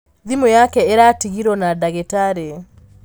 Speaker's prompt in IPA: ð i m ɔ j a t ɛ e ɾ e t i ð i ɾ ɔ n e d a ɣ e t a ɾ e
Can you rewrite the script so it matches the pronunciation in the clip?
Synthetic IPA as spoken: ð i m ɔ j a k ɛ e ɾ a t i ɣ i ɾ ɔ n a d a ɣ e t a ɾ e